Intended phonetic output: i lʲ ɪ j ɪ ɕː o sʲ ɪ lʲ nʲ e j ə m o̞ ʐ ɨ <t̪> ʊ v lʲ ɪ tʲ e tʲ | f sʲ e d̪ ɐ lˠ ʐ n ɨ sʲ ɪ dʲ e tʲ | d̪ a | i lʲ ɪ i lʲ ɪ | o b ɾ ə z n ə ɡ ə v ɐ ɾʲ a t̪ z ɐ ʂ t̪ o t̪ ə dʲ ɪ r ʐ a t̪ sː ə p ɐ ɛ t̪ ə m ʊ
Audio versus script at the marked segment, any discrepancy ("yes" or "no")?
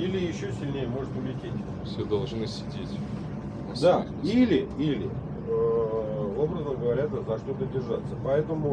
no